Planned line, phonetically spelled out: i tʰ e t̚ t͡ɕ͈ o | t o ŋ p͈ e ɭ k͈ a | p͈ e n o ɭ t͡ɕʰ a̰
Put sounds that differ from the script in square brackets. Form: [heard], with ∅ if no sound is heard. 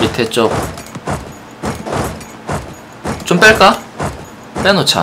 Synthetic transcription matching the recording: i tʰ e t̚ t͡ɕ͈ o | [t͡ɕ] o [m] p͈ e ɭ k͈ a | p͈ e n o [∅] t͡ɕʰ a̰